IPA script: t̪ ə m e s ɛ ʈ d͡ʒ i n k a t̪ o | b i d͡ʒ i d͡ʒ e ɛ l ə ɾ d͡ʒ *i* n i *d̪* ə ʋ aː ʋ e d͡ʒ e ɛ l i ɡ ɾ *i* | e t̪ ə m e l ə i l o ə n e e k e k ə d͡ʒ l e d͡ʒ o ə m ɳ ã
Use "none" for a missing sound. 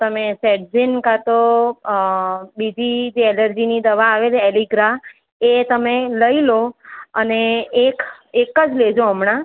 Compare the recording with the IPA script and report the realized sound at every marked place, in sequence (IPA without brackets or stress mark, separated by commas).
i, d̪, a